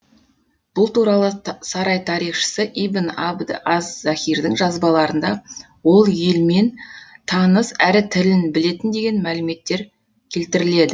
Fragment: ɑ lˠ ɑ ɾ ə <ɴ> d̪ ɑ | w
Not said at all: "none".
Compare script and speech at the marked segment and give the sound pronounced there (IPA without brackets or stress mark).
n